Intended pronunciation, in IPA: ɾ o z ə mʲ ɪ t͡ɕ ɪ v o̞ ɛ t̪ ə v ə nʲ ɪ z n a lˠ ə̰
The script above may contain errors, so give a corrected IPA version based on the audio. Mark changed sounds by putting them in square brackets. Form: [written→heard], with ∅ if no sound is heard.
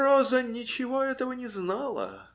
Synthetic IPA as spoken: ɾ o z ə [mʲ→nʲ] ɪ t͡ɕ ɪ v o̞ ɛ t̪ ə v ə nʲ ɪ z n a lˠ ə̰